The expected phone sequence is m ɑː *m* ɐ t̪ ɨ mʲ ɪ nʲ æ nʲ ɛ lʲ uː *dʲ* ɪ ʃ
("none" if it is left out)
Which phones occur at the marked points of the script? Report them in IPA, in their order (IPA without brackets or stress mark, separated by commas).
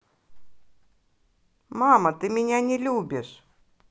m, bʲ